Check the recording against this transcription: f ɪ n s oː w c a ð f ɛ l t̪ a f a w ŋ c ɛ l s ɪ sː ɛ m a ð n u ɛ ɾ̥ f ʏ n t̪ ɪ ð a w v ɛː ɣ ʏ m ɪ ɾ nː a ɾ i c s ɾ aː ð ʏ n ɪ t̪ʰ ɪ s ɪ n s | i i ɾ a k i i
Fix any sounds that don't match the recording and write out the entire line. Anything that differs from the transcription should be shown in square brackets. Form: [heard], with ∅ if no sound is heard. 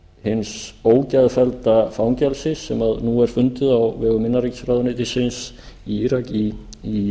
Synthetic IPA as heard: [h] ɪ n s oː w c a ð f ɛ l t̪ a f a w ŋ c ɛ l s ɪ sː ɛ m a ð n u ɛ ɾ̥ f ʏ n t̪ ɪ ð a w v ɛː ɣ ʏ m ɪ [∅] nː a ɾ i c s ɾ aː ð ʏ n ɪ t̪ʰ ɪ s ɪ n s | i i ɾ a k i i